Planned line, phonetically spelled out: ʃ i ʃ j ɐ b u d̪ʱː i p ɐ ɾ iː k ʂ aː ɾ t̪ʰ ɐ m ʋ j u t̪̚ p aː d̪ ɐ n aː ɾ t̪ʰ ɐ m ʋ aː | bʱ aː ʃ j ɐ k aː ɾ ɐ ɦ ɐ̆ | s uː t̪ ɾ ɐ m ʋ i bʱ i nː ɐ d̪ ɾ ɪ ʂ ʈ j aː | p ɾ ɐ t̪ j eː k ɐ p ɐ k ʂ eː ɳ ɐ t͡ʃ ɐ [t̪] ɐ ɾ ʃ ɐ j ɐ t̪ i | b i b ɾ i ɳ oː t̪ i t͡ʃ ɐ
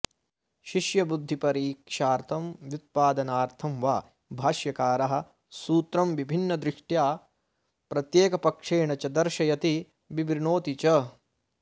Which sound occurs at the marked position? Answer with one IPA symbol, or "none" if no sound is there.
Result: d̪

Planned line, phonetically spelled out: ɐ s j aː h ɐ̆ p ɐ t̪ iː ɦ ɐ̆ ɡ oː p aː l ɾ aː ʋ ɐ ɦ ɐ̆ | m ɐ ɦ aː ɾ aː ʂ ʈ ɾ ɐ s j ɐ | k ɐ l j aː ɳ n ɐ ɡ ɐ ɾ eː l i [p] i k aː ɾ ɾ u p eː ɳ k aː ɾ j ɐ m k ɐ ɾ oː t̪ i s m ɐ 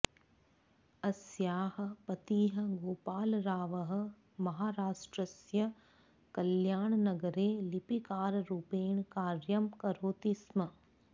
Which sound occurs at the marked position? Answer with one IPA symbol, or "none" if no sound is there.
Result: p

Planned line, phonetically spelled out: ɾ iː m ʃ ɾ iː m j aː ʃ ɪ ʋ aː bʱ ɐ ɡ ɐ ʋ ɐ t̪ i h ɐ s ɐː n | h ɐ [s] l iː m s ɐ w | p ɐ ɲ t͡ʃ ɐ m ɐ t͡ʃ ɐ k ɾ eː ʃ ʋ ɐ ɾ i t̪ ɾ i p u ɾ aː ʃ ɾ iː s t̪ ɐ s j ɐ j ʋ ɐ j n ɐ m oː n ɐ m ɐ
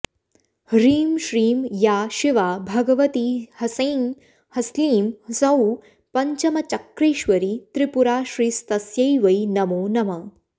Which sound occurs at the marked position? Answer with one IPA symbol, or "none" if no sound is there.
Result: s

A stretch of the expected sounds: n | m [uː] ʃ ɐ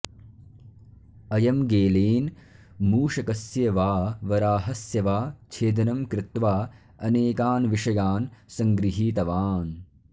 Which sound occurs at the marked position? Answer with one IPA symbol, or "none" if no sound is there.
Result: uː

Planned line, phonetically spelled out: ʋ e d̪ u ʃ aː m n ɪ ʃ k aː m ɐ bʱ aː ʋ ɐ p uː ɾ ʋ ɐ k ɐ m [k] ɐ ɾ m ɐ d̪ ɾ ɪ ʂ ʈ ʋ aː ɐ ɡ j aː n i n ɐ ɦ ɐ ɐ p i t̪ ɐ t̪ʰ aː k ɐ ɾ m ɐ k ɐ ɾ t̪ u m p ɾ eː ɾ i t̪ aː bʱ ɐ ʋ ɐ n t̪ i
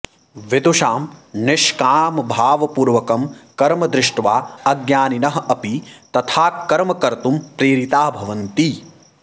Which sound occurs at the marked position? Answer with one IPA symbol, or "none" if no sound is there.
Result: k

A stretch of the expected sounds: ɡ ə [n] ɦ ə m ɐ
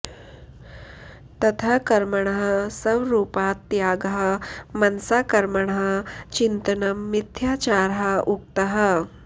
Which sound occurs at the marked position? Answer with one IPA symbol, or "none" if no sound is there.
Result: none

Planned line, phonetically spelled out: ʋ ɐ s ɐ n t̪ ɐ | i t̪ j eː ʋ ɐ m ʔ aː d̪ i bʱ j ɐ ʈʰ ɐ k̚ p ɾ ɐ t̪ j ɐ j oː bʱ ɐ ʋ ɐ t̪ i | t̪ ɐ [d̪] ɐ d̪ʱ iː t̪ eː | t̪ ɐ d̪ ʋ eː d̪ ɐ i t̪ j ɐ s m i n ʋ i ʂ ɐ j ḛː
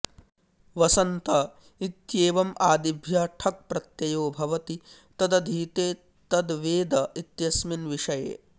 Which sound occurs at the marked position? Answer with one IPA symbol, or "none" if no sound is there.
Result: d̪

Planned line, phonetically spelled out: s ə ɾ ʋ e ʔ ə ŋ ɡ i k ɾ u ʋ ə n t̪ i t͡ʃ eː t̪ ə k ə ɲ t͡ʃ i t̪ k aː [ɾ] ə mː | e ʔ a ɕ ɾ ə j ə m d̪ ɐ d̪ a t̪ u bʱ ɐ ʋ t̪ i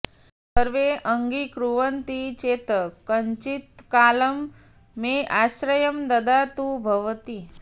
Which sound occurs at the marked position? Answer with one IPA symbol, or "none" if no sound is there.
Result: l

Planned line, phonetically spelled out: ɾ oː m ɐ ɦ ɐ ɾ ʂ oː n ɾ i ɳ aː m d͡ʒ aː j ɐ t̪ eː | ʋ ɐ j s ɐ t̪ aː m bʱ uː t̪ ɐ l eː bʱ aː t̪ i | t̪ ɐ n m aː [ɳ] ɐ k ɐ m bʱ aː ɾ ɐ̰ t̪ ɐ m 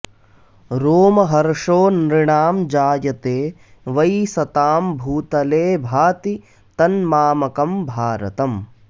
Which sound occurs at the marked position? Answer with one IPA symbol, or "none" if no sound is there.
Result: m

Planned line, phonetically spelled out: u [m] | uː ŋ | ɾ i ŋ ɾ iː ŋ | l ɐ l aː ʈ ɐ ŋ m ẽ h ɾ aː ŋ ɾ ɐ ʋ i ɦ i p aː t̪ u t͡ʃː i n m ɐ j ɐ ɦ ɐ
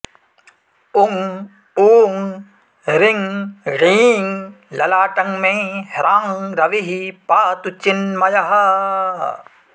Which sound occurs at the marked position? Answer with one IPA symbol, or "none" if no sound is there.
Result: ŋ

